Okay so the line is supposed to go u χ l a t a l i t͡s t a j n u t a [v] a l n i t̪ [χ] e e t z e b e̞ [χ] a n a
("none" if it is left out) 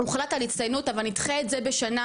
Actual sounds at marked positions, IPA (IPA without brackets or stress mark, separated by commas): v, χ, ʃ